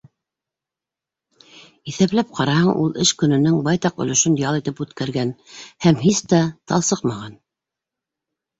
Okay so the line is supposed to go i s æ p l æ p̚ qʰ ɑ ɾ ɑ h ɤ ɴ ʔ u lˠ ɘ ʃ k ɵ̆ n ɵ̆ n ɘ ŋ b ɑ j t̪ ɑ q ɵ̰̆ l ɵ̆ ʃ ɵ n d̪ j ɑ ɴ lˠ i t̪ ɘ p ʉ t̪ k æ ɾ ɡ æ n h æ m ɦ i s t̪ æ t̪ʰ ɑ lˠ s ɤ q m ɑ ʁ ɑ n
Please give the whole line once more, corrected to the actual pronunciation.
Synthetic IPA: i θ æ p l æ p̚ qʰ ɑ ɾ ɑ h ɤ ɴ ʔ u lˠ ɘ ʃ k ɵ̆ n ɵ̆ n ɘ ŋ b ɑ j t̪ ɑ q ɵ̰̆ l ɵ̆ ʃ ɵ n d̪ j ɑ lˠ i t̪ ɘ p ʉ t̪ k æ ɾ ɡ æ n h æ m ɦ i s t̪ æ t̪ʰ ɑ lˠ s ɤ q m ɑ ʁ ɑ n